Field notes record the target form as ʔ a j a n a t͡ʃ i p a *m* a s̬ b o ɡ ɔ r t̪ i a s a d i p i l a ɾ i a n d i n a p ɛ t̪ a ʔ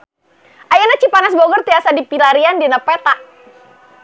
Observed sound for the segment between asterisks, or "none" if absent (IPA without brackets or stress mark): n